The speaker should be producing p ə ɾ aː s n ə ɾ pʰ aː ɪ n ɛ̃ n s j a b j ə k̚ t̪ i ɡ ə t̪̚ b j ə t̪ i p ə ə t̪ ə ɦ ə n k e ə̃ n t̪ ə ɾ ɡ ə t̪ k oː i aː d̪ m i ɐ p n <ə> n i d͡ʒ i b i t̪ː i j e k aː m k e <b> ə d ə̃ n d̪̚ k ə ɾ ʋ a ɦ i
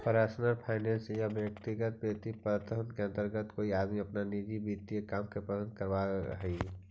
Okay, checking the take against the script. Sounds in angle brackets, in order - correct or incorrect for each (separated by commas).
incorrect, incorrect